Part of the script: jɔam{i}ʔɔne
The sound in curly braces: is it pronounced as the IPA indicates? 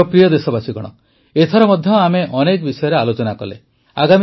no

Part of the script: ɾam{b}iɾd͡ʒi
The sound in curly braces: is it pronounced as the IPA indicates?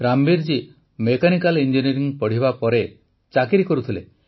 yes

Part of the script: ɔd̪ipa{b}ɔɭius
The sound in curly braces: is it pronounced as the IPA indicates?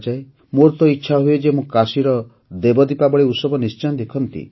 yes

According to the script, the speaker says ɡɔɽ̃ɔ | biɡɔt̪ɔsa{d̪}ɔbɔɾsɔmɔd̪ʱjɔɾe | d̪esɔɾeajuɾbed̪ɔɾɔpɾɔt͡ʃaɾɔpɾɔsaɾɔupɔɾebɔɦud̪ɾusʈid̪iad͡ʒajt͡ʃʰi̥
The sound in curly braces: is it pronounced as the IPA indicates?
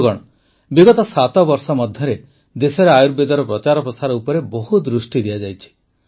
no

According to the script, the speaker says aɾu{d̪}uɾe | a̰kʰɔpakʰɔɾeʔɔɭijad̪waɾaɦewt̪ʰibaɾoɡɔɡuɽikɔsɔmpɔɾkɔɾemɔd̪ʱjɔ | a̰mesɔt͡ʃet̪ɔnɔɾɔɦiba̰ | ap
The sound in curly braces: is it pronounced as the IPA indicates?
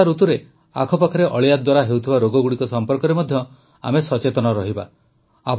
no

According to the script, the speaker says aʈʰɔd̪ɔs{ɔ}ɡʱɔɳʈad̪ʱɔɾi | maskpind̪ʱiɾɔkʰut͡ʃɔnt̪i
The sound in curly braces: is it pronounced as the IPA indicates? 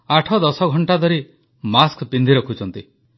yes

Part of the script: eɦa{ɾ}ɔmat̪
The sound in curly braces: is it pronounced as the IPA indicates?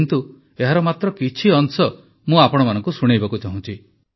yes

